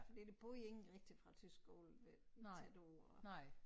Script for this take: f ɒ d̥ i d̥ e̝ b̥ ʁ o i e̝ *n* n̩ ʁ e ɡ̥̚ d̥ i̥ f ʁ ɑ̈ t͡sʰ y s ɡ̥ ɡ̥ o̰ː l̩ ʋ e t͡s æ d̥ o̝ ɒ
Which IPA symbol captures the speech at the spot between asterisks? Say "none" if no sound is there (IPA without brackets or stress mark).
ŋ